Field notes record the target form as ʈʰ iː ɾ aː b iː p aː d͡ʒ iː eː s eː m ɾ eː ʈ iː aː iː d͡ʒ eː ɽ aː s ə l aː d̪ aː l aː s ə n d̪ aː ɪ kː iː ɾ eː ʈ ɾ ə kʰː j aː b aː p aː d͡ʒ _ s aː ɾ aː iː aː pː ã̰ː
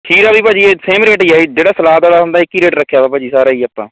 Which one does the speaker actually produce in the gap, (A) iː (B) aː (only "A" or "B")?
A